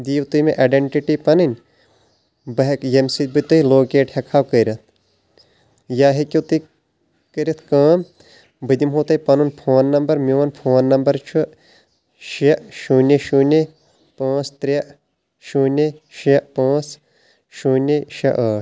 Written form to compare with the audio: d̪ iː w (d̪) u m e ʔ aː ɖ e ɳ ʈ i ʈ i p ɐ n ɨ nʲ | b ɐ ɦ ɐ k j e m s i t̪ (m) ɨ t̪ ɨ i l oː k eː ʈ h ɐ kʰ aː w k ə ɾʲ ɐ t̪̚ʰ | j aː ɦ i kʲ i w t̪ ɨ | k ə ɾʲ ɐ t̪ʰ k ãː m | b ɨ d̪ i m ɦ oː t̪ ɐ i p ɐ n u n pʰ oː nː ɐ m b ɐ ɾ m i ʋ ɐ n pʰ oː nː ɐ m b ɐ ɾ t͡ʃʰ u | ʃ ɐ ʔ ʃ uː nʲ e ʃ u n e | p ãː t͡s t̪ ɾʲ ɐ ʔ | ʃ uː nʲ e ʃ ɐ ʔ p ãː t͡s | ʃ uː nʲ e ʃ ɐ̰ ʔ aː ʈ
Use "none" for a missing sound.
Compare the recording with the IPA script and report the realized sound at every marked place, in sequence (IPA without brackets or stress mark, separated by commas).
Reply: t̪, b